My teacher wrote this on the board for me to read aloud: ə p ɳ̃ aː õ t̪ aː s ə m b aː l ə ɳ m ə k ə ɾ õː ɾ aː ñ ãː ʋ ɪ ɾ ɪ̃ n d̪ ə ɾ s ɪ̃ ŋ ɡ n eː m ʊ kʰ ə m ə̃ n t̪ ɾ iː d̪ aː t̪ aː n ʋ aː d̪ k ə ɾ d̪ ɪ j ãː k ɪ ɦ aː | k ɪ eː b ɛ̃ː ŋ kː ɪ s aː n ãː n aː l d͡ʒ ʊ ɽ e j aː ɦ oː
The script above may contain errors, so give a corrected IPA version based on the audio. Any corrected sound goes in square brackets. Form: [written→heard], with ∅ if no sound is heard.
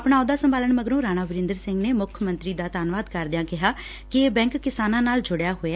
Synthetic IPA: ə p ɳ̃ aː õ [t̪→d̪] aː s ə m b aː l ə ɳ m ə [k→ɡ] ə ɾ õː ɾ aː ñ [ãː→aː] ʋ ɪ ɾ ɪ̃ n d̪ ə ɾ s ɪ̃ ŋ ɡ n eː m ʊ kʰ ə m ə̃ n t̪ ɾ iː d̪ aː t̪ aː n ʋ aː d̪ k ə ɾ d̪ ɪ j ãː k ɪ ɦ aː | k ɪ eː b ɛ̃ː ŋ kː ɪ s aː n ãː n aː l d͡ʒ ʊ ɽ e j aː ɦ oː

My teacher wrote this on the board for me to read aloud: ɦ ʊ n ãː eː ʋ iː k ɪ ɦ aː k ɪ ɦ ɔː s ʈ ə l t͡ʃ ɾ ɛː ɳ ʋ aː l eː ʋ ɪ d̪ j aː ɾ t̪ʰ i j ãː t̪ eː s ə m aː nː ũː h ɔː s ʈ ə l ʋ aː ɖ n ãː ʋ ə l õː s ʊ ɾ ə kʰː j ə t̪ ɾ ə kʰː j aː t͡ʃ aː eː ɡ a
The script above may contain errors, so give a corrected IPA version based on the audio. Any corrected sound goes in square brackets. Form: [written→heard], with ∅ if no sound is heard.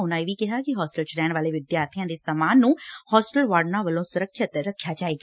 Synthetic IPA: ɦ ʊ n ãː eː ʋ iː k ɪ ɦ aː k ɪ ɦ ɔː s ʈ ə l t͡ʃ ɾ ɛː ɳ ʋ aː l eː ʋ ɪ d̪ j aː ɾ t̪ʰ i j ãː [t̪→d̪] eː s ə m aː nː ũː h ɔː s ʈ ə l ʋ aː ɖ n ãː ʋ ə l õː s ʊ ɾ ə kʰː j ə t̪ ɾ ə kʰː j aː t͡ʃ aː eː ɡ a

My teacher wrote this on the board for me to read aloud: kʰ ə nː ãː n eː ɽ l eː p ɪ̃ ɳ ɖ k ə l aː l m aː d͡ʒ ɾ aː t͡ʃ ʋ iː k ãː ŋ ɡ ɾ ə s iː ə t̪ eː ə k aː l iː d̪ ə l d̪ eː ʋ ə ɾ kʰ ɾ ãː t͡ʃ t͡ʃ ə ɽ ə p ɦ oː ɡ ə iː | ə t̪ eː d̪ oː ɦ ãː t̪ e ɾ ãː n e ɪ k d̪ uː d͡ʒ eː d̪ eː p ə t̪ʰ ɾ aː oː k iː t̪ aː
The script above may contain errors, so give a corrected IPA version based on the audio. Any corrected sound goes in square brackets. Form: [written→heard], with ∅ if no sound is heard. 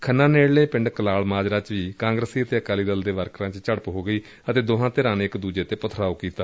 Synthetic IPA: kʰ ə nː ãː n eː ɽ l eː p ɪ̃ ɳ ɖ k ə l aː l m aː d͡ʒ ɾ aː t͡ʃ ʋ iː k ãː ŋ ɡ ɾ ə s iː ə t̪ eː ə k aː l iː d̪ ə l d̪ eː ʋ ə ɾ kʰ ɾ ãː t͡ʃ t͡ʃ ə ɽ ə p ɦ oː ɡ ə iː | ə t̪ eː d̪ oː ɦ ãː t̪ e ɾ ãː n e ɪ k d̪ uː d͡ʒ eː [d̪→t̪] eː p ə t̪ʰ ɾ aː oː k iː t̪ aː

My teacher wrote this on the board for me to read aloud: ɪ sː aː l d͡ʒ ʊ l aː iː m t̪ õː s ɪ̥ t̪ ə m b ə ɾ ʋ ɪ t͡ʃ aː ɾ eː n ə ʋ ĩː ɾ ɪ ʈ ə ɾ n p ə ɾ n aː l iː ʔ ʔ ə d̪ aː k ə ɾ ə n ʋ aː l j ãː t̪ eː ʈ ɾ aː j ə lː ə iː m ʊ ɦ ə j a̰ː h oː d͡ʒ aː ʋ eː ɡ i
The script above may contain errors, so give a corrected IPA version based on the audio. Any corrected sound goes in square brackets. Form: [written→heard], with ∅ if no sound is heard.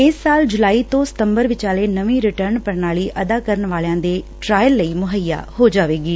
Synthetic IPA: ɪ sː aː l d͡ʒ ʊ l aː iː [m→∅] t̪ õː s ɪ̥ t̪ ə m b ə ɾ ʋ ɪ t͡ʃ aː [ɾ→l] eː n ə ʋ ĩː ɾ ɪ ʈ ə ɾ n p ə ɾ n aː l iː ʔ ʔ ə d̪ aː k ə ɾ ə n ʋ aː l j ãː [t̪→d̪] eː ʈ ɾ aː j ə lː ə iː m ʊ ɦ ə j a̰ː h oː d͡ʒ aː ʋ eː ɡ [i→iː]

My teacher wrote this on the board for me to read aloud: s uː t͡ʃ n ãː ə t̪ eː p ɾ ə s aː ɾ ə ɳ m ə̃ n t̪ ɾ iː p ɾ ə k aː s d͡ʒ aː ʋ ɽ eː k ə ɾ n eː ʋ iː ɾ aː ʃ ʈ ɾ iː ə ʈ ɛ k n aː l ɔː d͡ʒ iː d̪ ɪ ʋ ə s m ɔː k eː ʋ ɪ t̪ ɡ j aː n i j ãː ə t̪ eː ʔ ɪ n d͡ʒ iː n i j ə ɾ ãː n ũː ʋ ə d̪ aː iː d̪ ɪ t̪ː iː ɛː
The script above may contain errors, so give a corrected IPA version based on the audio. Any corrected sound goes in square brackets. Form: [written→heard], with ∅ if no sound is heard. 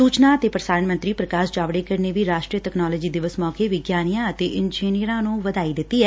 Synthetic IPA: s uː t͡ʃ n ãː ə t̪ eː p ɾ ə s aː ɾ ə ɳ m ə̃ n t̪ ɾ iː p ɾ ə k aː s d͡ʒ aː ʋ ɽ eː k ə ɾ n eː ʋ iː ɾ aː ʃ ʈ ɾ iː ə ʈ ɛ k n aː l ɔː d͡ʒ iː d̪ ɪ ʋ ə s m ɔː k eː ʋ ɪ [t̪→∅] ɡ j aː n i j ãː ə t̪ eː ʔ ɪ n d͡ʒ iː n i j ə ɾ ãː n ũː ʋ ə d̪ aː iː d̪ ɪ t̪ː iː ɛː

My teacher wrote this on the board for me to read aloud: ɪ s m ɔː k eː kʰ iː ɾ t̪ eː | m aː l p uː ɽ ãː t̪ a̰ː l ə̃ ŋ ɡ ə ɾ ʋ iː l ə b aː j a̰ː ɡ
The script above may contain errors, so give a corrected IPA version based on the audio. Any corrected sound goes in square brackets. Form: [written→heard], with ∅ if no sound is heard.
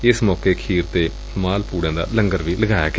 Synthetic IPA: ɪ s m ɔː k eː kʰ iː ɾ t̪ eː | m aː l p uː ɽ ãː [t̪→d̪] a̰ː l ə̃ ŋ ɡ ə ɾ ʋ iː l ə [b→ɡ] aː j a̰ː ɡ

